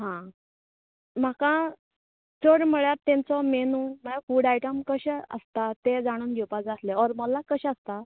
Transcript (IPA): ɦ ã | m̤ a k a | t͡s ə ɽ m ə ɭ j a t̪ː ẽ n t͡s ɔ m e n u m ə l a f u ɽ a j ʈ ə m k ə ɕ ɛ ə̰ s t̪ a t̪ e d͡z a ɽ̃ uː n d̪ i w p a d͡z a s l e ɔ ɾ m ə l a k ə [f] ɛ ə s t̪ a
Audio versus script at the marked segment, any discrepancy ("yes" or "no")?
yes